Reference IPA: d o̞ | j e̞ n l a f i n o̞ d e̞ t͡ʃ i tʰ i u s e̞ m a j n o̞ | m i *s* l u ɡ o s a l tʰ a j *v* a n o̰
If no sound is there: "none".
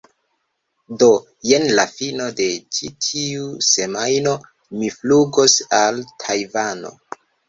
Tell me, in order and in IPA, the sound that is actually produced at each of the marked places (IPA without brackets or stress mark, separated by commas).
f, v